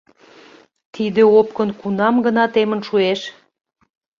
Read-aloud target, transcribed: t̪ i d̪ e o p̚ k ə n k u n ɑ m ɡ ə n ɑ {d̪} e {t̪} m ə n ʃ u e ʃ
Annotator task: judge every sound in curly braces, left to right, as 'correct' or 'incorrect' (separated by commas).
incorrect, incorrect